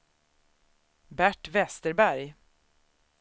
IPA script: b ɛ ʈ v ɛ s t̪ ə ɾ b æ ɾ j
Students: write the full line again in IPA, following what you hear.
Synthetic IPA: b æ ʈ v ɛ s t̪ ə ɾ b æ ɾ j

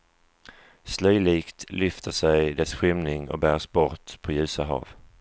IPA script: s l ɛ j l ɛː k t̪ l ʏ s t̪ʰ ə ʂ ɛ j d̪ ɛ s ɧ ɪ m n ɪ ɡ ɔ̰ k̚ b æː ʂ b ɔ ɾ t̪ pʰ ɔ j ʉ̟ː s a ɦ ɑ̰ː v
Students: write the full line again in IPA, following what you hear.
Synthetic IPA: s l œ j l iː k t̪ l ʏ f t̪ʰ ə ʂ ɛ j d̪ ɛ s ɧ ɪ m n ɪ ŋ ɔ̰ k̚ b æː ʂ b ɔ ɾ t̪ pʰ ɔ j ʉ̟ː s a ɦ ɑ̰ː v

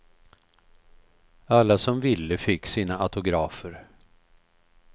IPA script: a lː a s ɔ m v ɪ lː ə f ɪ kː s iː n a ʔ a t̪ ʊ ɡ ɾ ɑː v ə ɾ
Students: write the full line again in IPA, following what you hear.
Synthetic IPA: a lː a s ɔ m v ɪ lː ə f ɪ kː s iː n a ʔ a t̪ ʊ ɡ ɾ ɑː f ə ɾ

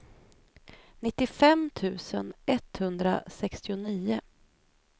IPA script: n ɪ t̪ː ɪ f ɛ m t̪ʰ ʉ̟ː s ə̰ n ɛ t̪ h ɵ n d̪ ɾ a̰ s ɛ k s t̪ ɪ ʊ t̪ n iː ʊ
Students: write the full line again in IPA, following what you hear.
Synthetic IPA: n ɪ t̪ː ɪ f ɛ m t̪ʰ ʉ̟ː s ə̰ n ɛ t̪ h ɵ n d̪ ɾ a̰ s ɛ k s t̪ ɪ ʊ n iː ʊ

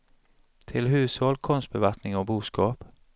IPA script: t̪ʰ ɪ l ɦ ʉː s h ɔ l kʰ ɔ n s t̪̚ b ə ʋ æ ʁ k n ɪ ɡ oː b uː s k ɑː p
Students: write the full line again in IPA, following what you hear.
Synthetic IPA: t̪ʰ ɪ l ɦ ʉː s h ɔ l kʰ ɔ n s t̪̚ b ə ʋ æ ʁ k n ɪ ŋ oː b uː s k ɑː p

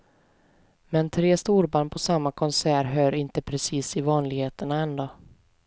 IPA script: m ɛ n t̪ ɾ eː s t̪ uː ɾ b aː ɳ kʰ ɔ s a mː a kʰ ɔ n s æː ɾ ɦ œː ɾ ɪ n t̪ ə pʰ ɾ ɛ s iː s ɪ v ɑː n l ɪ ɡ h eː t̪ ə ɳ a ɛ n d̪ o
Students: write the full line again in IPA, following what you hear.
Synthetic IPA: m ɛ n t̪ʰ ɾ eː s t̪ uː ɾ b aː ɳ pʰ ɔ s a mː a kʰ ɔ n s æː ɾ ɦ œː ɾ ɪ n t̪ ə pʰ ɾ ɛ s iː s ɪ v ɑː n l ɪ ɡ h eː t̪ ə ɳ a ɛ n d̪ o

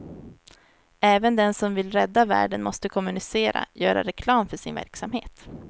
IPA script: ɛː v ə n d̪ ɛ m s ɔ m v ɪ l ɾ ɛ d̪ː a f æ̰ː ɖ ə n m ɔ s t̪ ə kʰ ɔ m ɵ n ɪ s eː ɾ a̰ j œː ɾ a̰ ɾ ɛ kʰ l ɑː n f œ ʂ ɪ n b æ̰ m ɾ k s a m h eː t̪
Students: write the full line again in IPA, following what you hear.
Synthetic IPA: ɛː v ə n d̪ ɛ n s ɔ m v ɪ l ɾ ɛ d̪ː a v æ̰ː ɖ ə n m ɔ s t̪ ə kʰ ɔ m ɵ n ɪ s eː ɾ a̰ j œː ɾ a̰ ɾ ɛ kʰ l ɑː m f œ ʂ ɪ n v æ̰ ɾ k s a m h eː t̪

